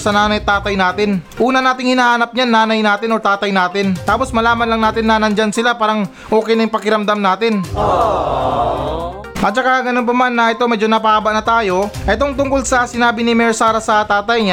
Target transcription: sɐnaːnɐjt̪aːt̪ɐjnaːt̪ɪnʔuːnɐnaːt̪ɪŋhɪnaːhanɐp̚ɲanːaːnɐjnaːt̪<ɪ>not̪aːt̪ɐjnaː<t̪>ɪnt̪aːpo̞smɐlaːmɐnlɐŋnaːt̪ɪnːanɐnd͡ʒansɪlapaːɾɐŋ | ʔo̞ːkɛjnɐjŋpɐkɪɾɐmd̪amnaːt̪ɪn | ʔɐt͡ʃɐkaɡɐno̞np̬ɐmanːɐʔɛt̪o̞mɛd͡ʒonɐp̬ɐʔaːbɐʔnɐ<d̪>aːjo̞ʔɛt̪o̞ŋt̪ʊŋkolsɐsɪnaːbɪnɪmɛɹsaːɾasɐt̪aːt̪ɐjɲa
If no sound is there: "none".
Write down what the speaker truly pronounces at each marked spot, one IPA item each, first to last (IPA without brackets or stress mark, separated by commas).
ɪ, t̪, t̪